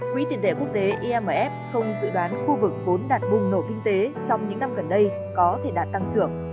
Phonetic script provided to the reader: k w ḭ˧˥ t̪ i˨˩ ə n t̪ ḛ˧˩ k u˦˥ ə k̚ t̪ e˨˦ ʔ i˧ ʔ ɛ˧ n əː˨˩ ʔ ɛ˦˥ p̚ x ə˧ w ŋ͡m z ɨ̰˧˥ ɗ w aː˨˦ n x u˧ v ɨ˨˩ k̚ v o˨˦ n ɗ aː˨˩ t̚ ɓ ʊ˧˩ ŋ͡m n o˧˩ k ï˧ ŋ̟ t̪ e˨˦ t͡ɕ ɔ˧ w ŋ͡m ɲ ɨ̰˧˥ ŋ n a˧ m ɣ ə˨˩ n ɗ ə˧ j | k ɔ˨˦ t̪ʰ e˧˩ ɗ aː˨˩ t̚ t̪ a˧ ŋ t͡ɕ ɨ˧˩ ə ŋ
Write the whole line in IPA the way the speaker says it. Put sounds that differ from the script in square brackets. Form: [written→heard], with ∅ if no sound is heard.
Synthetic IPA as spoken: k w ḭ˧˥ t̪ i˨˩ ə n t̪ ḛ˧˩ k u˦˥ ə k̚ t̪ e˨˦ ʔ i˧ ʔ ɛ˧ [n→m] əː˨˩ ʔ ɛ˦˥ p̚ x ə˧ w ŋ͡m z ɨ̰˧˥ ɗ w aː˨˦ n x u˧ v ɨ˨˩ k̚ v o˨˦ n ɗ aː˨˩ t̚ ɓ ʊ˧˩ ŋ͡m n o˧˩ k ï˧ ŋ̟ t̪ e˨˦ t͡ɕ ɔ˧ w ŋ͡m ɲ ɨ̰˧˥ ŋ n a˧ m ɣ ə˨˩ n ɗ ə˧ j | k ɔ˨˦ t̪ʰ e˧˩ ɗ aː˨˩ t̚ t̪ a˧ ŋ t͡ɕ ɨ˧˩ ə ŋ